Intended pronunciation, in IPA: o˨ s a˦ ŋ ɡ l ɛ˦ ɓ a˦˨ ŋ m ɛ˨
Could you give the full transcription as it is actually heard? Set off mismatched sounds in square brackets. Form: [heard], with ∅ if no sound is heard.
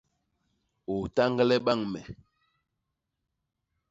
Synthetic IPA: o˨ [t] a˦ ŋ ɡ l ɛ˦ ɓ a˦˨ ŋ m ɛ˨